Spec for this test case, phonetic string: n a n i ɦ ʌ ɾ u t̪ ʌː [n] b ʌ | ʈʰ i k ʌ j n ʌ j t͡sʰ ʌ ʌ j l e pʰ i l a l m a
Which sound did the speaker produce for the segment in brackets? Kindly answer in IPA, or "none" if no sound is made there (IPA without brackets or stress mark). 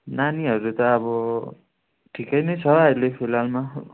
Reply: none